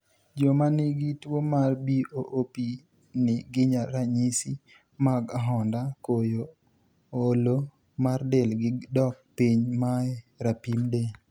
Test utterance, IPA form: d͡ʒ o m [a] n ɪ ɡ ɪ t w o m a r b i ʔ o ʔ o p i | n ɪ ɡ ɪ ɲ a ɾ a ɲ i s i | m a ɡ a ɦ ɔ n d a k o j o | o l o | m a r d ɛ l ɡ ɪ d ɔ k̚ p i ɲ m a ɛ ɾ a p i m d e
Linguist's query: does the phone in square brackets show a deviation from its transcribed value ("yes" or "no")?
no